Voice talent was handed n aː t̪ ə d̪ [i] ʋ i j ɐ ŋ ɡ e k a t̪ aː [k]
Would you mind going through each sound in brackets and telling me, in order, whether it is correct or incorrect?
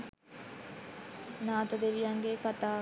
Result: incorrect, incorrect

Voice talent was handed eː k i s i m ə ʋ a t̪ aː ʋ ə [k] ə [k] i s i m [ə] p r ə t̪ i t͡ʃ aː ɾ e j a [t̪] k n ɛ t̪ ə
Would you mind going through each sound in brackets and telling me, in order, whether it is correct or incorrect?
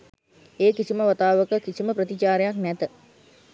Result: correct, correct, correct, incorrect

